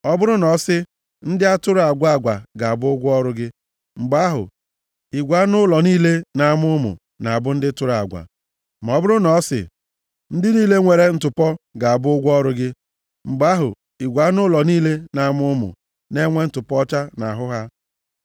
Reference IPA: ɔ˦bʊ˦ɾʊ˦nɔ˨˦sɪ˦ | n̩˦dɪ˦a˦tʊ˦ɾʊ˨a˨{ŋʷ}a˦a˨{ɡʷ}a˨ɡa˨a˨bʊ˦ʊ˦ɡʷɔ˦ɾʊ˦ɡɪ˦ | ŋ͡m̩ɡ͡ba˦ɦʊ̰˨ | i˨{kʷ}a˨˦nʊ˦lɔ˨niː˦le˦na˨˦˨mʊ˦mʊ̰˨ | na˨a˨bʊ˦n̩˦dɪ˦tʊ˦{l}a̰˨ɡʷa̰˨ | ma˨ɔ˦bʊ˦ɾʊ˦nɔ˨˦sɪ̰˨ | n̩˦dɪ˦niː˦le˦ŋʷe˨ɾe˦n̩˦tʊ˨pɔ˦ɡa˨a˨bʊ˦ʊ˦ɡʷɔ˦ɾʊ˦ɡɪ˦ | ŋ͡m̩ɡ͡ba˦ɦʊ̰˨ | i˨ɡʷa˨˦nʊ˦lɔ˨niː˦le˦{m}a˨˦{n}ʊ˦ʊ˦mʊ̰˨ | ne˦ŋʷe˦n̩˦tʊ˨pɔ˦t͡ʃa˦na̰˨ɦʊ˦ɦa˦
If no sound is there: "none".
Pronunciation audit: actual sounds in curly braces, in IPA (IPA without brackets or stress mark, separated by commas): ɡʷ, ɡʷ, ɡʷ, ɾ, n, m